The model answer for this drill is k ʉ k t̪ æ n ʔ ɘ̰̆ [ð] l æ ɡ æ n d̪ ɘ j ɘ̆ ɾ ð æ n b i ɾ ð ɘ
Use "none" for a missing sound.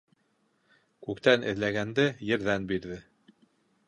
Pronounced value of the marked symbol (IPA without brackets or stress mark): ð